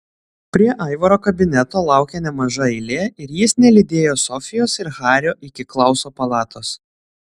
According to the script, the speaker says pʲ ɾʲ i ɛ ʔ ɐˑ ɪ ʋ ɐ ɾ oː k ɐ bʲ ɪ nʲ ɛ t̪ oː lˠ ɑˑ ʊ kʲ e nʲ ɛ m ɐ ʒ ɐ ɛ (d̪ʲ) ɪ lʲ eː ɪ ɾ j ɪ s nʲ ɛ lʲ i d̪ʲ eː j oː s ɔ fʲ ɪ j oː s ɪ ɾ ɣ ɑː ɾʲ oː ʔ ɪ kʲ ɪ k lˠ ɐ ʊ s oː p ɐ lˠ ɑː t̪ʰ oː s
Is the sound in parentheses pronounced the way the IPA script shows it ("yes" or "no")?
no